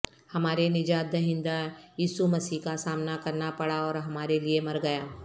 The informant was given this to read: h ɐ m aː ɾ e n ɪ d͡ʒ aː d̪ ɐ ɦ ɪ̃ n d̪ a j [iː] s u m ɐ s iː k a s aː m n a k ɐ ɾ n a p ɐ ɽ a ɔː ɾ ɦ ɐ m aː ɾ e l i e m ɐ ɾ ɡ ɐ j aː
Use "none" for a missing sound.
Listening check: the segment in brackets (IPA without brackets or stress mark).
iː